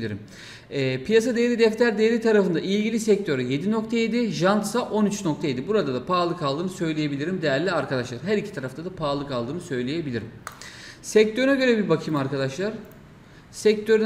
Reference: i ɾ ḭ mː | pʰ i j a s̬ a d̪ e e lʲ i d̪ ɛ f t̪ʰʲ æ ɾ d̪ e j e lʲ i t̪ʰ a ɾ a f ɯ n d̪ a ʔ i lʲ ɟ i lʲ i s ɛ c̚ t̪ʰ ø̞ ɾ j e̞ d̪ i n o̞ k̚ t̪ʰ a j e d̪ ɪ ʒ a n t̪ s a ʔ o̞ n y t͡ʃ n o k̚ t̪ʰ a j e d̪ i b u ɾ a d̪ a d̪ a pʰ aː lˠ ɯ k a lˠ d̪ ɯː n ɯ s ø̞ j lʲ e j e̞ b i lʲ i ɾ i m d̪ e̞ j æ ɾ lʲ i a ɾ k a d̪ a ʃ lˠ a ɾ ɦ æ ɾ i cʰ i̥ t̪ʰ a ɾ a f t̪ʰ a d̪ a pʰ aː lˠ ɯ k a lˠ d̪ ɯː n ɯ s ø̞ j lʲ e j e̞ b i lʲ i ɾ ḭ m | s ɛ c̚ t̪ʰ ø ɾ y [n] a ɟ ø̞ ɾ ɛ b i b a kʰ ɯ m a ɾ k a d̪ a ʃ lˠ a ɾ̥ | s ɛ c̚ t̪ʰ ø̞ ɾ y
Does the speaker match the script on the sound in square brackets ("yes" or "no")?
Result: yes